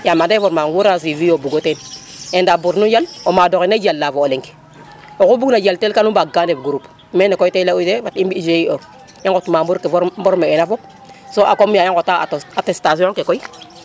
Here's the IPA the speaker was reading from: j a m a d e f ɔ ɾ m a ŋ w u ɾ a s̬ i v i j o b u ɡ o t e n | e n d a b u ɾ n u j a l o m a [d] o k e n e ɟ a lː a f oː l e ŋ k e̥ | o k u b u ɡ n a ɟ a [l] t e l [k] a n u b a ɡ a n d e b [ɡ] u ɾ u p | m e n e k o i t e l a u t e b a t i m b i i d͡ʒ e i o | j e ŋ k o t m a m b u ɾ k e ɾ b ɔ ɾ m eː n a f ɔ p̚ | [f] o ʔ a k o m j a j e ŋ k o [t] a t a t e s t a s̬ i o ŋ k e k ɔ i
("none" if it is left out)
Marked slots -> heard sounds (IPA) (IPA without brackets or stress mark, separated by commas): d, l, k, ɡ, s, t